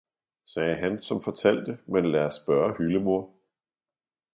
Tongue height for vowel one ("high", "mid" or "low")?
mid